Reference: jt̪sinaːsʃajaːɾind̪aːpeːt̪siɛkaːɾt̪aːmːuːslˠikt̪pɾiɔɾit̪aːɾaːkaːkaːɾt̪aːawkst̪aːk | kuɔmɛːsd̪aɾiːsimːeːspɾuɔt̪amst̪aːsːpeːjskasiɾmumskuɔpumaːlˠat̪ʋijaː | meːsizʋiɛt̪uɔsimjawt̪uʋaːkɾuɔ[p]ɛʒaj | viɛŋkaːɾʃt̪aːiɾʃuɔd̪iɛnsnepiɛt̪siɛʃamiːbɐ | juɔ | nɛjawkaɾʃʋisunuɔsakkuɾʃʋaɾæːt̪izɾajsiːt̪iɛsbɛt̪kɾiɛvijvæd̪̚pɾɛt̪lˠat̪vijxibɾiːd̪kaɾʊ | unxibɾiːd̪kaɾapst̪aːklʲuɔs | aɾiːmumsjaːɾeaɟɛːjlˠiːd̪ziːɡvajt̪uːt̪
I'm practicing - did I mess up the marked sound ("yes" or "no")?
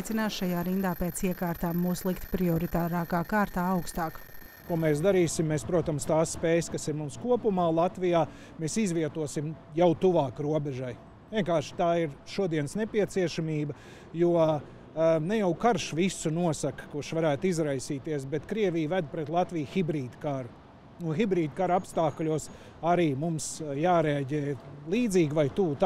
yes